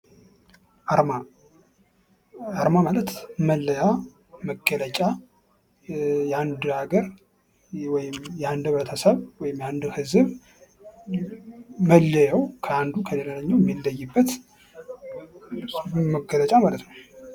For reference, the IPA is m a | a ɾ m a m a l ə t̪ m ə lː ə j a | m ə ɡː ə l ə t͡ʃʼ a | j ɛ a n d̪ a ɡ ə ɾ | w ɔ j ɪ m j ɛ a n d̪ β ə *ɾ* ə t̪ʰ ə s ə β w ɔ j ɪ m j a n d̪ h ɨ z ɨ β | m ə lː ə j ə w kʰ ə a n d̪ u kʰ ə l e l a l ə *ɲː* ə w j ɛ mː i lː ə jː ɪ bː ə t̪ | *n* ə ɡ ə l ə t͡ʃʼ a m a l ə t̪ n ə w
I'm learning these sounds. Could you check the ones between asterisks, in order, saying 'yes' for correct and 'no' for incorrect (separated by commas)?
yes, yes, no